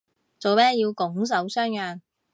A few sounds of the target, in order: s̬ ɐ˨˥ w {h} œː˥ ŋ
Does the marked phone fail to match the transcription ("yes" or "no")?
yes